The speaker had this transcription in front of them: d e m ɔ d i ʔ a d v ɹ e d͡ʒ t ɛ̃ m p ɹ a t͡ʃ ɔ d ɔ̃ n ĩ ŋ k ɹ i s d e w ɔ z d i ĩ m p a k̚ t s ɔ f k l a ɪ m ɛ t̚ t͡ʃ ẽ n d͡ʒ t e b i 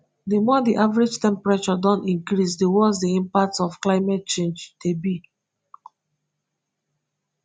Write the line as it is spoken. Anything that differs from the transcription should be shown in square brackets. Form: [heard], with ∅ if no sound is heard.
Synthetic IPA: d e m ɔ d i ʔ a [∅] v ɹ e d͡ʒ t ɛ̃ m p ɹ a t͡ʃ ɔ d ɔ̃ n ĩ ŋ k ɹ i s d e w ɔ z d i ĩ m p a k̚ t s ɔ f k l a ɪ m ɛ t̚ t͡ʃ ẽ n d͡ʒ t e b i